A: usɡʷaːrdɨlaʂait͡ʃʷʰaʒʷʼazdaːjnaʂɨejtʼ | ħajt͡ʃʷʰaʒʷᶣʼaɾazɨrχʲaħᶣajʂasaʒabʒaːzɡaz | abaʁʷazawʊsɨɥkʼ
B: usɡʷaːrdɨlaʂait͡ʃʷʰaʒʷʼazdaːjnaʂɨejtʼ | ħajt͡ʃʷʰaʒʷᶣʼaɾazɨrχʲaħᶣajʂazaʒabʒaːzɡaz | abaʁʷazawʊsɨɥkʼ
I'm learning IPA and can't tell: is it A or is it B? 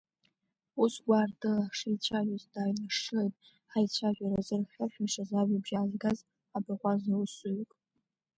B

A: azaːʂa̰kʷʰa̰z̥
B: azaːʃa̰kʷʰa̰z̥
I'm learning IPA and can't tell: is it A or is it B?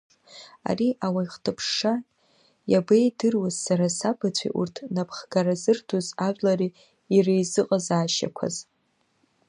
B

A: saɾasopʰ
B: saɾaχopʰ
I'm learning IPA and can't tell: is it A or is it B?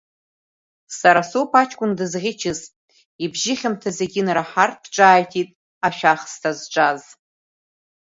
A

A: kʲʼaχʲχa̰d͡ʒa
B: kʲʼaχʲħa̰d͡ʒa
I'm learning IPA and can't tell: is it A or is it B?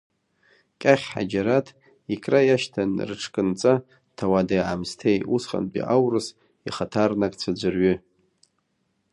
B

